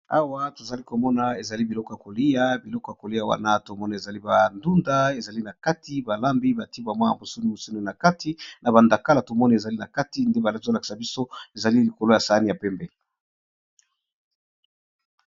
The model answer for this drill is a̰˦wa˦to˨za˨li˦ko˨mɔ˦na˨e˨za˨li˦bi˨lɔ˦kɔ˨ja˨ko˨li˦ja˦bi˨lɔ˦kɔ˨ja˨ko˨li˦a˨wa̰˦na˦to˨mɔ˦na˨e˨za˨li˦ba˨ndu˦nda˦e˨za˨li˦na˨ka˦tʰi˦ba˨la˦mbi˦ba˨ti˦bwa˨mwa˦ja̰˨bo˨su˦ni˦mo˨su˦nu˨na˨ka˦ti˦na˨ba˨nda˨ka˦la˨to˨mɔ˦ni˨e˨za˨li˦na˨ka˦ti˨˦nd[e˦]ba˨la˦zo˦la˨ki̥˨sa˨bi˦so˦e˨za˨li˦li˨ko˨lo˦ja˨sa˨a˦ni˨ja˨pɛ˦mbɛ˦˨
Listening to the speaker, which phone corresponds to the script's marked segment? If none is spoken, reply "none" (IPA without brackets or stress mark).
e˦